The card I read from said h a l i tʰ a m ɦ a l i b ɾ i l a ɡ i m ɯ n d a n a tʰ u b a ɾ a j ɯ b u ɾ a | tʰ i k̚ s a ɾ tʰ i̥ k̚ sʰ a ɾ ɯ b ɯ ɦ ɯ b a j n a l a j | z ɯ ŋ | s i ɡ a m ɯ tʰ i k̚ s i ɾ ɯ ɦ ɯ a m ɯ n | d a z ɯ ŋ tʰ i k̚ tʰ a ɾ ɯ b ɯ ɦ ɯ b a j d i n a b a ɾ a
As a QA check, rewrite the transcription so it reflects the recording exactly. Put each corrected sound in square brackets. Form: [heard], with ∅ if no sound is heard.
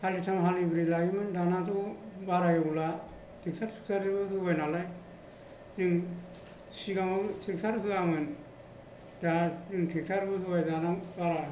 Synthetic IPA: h a l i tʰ a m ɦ a l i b ɾ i l a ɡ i m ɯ n d a n a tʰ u b a ɾ a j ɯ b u [l] a | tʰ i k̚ s a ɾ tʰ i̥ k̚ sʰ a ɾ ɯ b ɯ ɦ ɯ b a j n a l a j | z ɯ ŋ | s i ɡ a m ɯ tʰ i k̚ s [a] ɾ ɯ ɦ ɯ a m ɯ n | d a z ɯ ŋ tʰ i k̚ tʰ a ɾ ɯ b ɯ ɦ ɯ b a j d [a] n a b a ɾ a